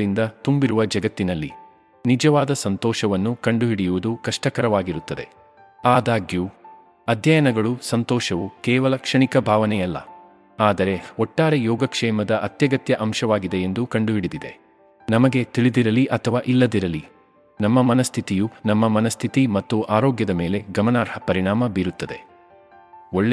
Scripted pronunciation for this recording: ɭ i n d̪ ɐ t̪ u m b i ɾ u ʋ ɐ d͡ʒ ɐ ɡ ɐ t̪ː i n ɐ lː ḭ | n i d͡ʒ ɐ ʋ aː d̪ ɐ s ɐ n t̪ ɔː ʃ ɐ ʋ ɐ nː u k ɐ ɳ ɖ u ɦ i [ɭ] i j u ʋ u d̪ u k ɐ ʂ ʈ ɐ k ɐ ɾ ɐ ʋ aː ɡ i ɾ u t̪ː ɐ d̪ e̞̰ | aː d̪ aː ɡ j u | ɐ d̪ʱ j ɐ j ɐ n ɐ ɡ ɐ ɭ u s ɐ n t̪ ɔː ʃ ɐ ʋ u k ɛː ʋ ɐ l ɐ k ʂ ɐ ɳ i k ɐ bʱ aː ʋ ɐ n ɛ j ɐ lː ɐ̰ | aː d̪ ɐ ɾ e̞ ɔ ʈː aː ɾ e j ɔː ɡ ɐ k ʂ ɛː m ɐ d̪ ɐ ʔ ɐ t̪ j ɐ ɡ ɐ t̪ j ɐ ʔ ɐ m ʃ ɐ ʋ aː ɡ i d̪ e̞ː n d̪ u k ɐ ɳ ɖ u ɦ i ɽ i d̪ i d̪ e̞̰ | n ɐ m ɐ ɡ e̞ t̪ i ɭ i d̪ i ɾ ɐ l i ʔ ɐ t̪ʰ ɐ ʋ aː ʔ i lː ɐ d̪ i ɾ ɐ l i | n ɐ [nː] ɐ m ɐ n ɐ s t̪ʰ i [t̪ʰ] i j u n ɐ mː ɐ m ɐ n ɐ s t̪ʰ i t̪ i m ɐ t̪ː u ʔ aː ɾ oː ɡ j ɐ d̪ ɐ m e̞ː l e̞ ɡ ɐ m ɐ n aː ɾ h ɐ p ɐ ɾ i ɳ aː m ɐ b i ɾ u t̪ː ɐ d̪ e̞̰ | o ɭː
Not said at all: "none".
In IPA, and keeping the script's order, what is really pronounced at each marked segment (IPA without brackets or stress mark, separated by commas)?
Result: ɽ, mː, t̪